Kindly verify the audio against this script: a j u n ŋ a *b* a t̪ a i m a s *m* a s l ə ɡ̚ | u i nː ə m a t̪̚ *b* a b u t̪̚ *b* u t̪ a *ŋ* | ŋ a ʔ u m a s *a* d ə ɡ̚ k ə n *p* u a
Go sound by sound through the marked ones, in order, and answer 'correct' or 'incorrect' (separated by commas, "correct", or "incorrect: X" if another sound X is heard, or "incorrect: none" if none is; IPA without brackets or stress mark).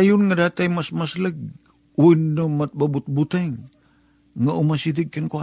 incorrect: d, correct, correct, correct, correct, incorrect: i, incorrect: k